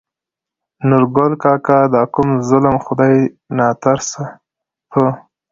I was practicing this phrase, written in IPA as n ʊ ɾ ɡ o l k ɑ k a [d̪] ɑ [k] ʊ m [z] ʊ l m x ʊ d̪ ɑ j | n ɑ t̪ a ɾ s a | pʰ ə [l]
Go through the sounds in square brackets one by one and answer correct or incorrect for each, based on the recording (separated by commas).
correct, correct, correct, incorrect